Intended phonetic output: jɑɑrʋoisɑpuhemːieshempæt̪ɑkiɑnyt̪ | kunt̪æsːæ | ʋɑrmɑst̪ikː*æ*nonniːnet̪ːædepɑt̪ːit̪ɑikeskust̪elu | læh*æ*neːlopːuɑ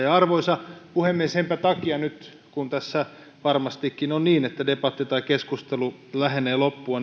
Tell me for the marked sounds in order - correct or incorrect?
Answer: incorrect, incorrect

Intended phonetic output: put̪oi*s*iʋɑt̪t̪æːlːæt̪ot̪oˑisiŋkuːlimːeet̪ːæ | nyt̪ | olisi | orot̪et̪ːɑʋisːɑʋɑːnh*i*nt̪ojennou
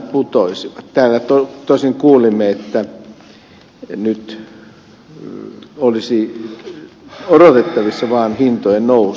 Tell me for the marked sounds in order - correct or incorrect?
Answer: correct, correct

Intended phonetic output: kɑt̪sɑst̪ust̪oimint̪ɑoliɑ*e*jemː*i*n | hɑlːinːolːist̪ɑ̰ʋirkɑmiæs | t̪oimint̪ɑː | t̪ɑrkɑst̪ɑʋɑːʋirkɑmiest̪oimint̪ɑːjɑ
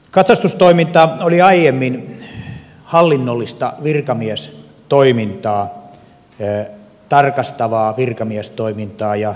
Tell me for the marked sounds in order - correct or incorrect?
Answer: incorrect, correct

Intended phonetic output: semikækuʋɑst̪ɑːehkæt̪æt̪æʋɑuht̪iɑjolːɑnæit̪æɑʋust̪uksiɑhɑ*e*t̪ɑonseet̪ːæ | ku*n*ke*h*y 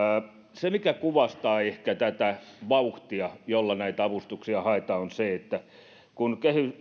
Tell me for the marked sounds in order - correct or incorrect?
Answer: correct, correct, correct

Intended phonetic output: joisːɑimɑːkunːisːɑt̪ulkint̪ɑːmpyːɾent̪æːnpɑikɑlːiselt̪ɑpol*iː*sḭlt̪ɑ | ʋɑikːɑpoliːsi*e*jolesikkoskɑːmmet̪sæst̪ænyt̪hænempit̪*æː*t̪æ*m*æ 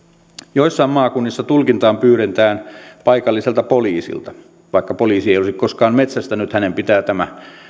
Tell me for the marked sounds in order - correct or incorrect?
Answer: correct, correct, correct, correct

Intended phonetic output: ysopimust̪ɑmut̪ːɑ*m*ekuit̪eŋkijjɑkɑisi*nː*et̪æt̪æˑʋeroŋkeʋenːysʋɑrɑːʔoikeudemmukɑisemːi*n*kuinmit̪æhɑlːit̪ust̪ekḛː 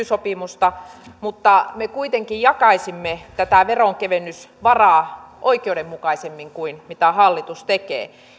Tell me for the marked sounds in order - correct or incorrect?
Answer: correct, incorrect, incorrect

